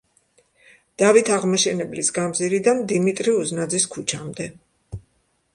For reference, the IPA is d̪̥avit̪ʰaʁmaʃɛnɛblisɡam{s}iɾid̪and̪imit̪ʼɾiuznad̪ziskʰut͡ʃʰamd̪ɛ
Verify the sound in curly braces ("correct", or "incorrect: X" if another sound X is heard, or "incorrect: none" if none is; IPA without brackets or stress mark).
incorrect: z